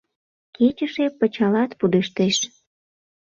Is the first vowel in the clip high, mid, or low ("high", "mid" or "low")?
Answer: mid